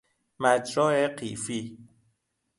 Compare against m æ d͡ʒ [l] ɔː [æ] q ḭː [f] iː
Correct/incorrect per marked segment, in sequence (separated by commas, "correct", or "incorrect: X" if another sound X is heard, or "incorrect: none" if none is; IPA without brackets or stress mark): incorrect: ɾ, incorrect: e, correct